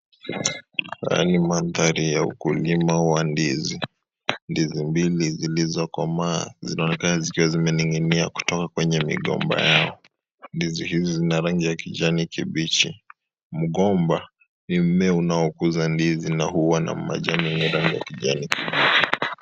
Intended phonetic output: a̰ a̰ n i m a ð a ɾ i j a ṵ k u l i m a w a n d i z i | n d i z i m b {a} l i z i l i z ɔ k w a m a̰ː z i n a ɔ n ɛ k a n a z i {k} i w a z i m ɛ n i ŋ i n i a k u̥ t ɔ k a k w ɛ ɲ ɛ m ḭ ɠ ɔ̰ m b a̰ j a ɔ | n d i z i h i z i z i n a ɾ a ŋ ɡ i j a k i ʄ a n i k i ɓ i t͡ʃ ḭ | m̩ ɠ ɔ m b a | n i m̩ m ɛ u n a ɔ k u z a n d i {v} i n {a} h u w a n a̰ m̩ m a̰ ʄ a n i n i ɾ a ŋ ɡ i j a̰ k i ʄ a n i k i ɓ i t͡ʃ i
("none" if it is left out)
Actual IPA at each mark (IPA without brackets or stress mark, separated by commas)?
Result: i, k, z, a